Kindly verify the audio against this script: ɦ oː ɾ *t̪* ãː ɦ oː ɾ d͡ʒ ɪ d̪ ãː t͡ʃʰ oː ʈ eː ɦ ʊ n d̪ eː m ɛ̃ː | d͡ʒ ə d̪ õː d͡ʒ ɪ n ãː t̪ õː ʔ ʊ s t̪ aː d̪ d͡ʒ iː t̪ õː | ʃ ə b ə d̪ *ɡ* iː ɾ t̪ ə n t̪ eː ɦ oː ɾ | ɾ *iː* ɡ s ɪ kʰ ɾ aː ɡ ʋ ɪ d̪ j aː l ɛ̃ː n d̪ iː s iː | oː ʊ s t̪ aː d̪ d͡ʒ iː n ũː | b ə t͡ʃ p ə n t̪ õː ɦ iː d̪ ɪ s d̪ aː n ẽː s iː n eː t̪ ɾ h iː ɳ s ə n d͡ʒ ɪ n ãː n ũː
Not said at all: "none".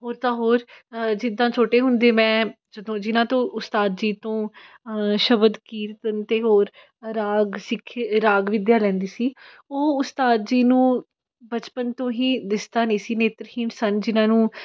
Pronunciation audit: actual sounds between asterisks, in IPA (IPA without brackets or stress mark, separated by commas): t̪, k, aː